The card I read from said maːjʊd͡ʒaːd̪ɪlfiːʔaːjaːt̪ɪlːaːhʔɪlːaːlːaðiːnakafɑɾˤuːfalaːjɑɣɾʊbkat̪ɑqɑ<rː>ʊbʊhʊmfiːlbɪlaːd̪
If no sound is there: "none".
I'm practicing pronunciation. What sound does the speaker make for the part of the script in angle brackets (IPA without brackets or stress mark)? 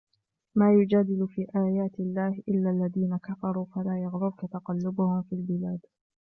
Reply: lː